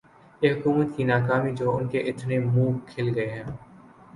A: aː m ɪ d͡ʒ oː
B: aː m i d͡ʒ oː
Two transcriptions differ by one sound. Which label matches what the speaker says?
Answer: B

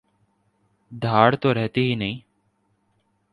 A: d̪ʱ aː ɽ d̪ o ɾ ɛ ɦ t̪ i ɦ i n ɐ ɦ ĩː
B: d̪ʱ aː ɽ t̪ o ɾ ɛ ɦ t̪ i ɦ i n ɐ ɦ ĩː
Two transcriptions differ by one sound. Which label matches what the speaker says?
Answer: B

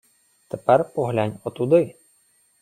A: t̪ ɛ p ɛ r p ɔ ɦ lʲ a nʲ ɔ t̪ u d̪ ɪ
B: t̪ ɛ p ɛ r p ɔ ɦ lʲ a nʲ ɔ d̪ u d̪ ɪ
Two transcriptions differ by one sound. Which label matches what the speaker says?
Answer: A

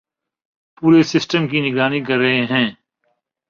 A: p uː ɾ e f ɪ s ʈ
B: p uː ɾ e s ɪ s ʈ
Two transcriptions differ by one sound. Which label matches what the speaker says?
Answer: B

